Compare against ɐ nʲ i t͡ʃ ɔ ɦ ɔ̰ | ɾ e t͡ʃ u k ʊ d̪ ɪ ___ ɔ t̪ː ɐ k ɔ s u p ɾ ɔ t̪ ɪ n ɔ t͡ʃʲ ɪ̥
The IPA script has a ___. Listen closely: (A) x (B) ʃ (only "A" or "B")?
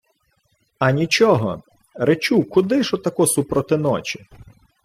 B